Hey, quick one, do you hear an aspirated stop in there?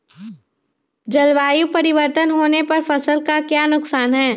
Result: no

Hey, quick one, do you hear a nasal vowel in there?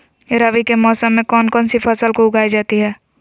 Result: yes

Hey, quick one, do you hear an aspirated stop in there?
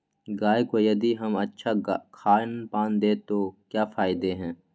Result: yes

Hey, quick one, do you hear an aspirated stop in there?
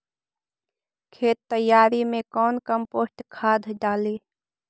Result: yes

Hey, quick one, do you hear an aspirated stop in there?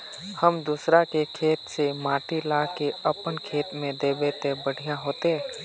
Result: yes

